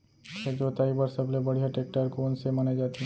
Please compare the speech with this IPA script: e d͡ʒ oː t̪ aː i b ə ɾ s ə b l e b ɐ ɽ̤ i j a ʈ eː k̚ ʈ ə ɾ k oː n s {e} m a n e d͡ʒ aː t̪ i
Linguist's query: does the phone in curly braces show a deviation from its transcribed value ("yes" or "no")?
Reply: no